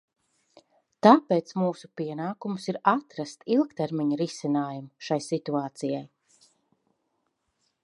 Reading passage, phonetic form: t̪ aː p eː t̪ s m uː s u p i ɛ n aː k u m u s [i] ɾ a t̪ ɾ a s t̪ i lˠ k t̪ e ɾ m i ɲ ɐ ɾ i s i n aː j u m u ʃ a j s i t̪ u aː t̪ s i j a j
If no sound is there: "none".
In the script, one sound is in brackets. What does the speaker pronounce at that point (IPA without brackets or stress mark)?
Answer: i